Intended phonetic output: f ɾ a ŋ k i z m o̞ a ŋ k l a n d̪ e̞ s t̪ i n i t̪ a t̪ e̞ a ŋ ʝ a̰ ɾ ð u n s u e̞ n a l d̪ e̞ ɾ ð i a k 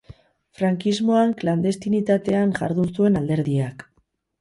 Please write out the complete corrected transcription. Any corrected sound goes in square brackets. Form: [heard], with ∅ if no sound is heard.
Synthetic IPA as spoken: f ɾ a ŋ k i z m o̞ a ŋ k l a n d̪ e̞ s t̪ i n i t̪ a t̪ e̞ a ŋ ʝ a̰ ɾ ð u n s u e̞ n a l d̪ e̞ ɾ ð i a k